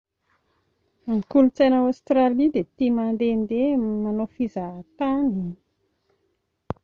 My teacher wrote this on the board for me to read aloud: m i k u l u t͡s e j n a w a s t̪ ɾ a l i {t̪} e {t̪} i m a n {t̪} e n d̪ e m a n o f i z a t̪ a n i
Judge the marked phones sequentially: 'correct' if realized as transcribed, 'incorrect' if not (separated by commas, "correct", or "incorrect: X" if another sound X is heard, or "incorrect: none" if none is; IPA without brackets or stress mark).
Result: incorrect: d̪, correct, incorrect: d̪